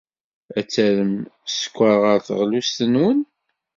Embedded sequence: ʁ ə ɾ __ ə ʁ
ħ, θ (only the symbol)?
θ